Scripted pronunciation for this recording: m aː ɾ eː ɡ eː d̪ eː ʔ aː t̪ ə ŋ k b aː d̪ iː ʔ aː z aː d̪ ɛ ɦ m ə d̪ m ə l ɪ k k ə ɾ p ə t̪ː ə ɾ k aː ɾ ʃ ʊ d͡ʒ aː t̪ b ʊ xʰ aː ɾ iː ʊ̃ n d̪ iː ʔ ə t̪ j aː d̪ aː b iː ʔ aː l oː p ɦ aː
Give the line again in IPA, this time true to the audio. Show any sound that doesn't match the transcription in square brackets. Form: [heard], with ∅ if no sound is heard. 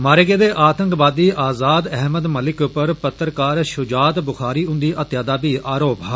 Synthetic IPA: m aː ɾ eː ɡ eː d̪ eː ʔ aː t̪ ə ŋ k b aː d̪ iː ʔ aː z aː d̪ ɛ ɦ m ə d̪ m ə l ɪ k [p] ə ɾ p ə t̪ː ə ɾ k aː ɾ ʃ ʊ d͡ʒ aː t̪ b ʊ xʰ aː ɾ iː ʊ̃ n d̪ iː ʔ ə t̪ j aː d̪ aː b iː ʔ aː [ɾ] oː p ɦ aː